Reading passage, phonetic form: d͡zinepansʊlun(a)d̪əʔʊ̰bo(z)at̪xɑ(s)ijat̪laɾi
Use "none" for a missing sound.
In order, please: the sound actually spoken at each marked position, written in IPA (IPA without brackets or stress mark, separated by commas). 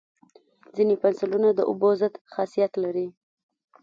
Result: a, z, s